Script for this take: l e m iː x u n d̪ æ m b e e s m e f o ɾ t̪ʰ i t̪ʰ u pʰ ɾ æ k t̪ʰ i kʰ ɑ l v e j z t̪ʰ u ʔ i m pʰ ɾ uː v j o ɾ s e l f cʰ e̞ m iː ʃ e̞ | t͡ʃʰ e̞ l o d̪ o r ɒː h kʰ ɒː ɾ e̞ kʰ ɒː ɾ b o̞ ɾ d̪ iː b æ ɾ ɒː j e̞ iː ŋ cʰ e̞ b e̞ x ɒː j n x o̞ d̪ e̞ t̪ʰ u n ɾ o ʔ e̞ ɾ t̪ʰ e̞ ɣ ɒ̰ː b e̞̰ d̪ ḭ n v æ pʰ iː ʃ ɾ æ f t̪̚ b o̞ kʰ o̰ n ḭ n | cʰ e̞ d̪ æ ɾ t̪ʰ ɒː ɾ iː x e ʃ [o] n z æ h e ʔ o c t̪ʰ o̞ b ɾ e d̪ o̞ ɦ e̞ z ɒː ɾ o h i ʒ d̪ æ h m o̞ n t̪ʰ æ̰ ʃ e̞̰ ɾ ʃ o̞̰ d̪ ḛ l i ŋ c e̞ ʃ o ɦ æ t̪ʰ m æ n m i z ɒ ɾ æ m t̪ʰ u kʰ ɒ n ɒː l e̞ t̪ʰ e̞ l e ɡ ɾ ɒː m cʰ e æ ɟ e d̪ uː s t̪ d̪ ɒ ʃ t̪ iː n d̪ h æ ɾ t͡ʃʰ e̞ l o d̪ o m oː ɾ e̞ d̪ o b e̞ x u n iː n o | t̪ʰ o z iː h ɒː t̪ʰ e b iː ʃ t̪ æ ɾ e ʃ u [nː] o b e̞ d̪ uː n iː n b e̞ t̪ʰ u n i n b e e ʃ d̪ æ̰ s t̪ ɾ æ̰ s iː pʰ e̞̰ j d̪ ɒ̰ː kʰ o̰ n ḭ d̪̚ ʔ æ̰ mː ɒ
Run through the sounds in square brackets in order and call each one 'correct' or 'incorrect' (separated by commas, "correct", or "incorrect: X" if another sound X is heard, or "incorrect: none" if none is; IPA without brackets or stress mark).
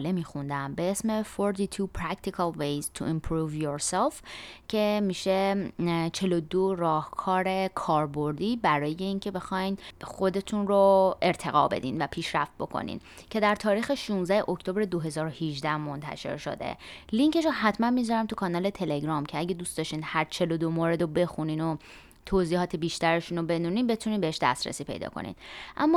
incorrect: u, incorrect: n